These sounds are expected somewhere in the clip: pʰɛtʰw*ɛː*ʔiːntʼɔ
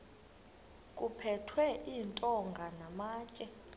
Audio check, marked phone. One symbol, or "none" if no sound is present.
ɛ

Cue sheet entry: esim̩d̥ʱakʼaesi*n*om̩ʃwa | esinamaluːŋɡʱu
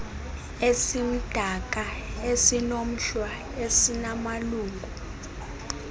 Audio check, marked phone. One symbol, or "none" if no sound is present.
n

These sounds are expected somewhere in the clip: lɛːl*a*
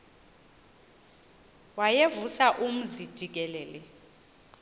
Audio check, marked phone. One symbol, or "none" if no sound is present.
ɛ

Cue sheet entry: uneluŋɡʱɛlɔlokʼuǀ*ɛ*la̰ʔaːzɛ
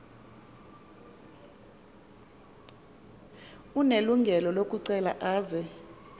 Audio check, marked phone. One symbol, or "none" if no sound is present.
ɛ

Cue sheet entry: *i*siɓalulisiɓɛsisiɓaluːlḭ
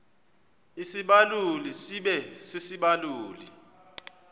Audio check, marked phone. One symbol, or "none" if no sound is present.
i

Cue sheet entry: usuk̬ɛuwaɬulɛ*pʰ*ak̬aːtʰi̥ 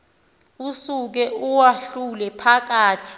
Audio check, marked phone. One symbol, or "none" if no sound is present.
pʰ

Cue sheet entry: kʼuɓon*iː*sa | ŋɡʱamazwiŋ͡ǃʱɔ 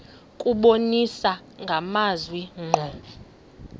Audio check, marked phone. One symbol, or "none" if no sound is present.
i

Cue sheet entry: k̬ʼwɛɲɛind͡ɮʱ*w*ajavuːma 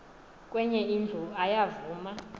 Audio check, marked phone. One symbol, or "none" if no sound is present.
u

